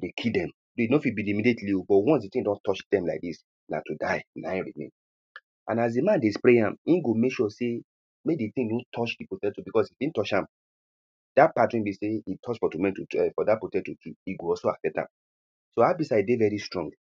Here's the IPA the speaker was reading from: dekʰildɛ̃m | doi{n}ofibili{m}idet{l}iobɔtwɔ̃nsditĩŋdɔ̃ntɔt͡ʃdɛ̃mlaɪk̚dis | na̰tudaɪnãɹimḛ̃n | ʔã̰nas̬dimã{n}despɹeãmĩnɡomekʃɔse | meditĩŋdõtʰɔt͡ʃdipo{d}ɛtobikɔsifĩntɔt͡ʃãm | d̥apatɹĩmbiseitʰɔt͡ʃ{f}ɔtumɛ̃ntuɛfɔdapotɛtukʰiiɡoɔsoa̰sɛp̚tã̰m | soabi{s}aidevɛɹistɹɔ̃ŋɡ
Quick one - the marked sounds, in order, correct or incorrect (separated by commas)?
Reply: correct, correct, correct, correct, incorrect, correct, correct